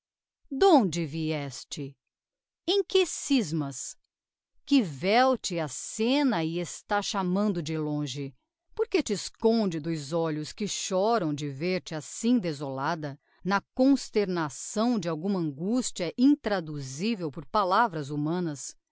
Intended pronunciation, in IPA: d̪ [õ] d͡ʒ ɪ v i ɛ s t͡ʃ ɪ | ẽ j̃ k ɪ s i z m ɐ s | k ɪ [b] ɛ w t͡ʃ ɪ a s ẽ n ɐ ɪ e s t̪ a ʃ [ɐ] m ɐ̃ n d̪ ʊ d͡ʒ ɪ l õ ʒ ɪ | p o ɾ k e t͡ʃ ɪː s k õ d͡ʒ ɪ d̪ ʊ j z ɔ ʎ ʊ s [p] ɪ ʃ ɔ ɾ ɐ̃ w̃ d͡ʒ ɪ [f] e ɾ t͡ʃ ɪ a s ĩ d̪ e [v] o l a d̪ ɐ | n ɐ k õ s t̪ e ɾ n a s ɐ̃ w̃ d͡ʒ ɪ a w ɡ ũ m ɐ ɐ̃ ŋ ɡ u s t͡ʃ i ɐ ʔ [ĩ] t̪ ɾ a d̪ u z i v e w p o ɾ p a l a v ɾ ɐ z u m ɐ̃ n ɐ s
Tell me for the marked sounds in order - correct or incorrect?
correct, incorrect, incorrect, incorrect, incorrect, incorrect, correct

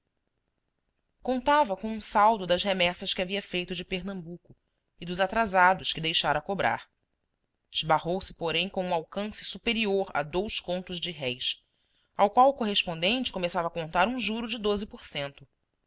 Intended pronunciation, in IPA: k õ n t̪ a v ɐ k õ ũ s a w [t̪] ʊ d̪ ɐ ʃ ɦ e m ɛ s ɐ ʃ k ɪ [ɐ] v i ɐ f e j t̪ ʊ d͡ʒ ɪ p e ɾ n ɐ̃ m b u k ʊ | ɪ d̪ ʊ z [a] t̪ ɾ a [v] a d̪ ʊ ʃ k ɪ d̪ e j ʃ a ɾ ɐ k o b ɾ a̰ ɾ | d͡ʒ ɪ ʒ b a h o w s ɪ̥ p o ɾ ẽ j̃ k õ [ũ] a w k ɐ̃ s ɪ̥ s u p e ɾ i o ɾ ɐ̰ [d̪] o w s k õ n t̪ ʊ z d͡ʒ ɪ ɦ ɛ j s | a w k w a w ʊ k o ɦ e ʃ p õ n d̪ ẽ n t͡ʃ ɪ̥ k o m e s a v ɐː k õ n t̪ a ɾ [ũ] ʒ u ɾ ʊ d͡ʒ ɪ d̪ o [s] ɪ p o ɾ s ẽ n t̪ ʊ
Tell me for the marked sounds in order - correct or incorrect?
incorrect, incorrect, correct, incorrect, correct, correct, correct, incorrect

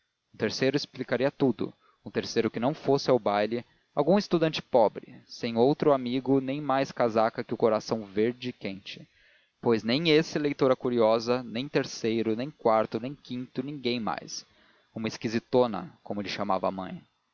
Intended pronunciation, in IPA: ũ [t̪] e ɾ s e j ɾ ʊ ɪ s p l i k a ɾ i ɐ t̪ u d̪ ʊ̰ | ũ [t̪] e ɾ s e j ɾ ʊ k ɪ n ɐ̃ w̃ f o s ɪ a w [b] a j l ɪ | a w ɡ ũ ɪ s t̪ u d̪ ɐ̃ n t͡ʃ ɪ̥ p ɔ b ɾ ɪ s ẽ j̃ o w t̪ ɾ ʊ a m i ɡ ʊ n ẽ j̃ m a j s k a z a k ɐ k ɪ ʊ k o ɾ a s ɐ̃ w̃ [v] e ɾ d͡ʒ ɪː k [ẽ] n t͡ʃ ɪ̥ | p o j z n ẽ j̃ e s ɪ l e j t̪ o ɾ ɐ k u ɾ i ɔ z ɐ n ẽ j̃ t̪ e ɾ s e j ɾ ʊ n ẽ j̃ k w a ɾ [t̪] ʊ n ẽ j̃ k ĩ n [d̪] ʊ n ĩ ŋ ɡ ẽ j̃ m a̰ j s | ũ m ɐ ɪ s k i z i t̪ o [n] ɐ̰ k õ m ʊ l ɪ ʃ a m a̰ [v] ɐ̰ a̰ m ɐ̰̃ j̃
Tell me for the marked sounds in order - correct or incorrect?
correct, correct, correct, correct, correct, correct, incorrect, correct, correct

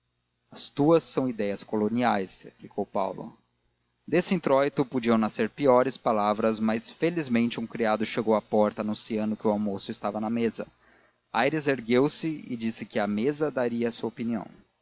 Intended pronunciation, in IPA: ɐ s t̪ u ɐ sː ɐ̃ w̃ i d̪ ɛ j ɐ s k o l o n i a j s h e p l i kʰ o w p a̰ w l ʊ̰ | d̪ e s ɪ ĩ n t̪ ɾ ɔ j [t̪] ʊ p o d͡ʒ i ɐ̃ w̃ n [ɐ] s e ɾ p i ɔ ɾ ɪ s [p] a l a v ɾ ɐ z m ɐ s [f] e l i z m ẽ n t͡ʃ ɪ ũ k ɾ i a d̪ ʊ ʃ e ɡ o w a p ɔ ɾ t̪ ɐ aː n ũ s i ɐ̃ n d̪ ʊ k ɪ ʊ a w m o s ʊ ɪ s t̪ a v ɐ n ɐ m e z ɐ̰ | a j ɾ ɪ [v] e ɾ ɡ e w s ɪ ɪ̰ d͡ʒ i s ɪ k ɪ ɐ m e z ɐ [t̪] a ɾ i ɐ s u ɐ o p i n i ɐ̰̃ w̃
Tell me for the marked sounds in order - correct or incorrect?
correct, incorrect, correct, correct, incorrect, incorrect

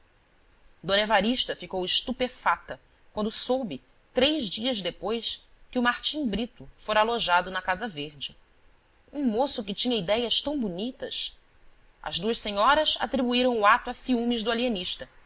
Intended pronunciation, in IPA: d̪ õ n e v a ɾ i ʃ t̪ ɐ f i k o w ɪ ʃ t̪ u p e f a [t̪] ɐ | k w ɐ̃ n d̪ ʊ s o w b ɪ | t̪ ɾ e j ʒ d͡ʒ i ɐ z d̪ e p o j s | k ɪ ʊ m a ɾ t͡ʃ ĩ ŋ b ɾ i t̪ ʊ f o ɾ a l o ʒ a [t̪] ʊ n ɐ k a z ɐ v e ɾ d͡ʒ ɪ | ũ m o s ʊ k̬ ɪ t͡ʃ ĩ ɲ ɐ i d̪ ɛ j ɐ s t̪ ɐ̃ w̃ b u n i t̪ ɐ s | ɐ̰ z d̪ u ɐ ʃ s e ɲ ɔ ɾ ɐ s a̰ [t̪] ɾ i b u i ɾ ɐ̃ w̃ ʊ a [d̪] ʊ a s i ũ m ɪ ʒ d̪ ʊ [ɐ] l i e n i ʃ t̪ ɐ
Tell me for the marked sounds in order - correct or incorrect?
correct, incorrect, correct, incorrect, incorrect

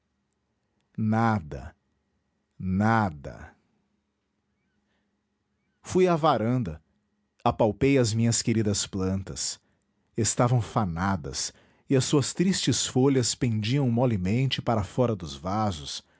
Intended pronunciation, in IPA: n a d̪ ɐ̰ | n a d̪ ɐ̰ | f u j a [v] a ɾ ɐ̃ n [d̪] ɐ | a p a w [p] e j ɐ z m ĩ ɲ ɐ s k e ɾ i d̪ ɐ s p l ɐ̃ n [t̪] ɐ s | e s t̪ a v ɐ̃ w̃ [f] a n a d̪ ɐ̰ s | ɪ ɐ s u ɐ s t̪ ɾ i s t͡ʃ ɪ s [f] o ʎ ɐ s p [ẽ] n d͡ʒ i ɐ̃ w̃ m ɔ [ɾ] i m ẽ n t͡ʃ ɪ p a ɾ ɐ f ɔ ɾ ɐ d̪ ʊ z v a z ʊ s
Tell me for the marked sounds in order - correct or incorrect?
correct, correct, correct, correct, correct, correct, correct, incorrect

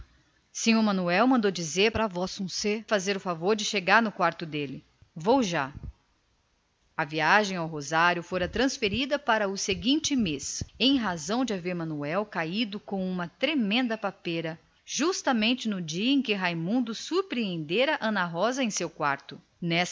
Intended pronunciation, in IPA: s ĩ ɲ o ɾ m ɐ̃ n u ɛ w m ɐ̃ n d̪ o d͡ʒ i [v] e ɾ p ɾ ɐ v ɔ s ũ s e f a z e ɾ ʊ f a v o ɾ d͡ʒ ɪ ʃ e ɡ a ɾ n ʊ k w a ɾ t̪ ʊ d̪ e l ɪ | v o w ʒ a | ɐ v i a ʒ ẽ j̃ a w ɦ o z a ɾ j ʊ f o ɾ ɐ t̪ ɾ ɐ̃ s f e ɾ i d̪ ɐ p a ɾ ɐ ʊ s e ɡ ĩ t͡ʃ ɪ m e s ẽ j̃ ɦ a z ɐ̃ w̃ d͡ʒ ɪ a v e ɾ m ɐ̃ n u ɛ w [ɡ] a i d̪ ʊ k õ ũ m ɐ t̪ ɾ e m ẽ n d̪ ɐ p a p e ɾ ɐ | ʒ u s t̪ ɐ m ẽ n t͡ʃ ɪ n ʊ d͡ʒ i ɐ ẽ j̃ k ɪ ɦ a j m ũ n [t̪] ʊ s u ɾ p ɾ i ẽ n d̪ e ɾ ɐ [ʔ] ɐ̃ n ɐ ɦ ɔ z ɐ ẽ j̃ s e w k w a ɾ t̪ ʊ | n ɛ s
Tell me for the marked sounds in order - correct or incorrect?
incorrect, incorrect, incorrect, correct

